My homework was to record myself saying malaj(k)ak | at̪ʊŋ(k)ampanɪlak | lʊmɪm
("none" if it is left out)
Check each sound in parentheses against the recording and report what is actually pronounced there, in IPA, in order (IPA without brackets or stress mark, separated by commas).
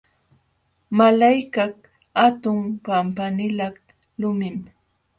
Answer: k, p